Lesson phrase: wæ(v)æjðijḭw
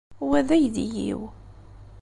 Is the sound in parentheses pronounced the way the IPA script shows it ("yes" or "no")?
no